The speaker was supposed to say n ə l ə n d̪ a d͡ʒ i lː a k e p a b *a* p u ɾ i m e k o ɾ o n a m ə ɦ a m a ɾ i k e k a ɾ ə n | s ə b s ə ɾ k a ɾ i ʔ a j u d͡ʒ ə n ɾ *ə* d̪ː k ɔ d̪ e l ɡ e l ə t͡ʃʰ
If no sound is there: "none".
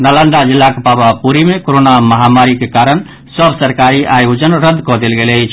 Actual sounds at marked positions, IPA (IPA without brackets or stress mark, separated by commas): a, ə